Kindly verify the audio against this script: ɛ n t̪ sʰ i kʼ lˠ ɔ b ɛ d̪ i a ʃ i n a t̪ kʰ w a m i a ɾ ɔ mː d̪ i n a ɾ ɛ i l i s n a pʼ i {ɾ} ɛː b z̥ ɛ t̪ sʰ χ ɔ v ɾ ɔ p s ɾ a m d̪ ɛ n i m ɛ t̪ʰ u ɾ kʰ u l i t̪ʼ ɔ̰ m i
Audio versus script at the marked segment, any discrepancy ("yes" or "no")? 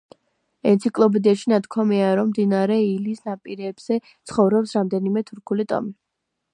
no